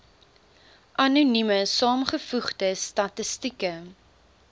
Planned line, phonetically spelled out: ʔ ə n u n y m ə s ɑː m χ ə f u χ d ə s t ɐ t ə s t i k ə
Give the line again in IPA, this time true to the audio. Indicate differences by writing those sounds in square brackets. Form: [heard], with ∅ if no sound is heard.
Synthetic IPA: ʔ [ɐ] n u n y m ə s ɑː m χ ə f u χ d ə s t ɐ t ə s t i k ə

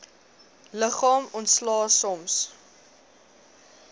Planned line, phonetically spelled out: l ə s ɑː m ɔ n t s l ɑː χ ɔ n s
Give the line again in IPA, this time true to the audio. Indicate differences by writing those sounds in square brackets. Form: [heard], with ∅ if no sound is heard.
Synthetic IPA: l ə [χ] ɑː m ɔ n t s l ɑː [s] ɔ [m] s

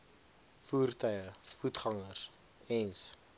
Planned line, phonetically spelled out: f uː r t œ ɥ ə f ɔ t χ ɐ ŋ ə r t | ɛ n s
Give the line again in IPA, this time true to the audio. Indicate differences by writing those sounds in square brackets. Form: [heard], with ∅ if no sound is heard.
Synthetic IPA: f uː r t œ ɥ ə f [u] t χ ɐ ŋ ə r [s] | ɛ n s

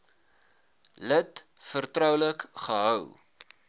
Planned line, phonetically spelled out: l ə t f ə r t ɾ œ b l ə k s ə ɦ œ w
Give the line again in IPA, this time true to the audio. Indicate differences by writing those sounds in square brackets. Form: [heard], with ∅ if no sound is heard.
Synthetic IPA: l ə t f ə r t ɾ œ [w] l ə k [χ] ə ɦ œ w

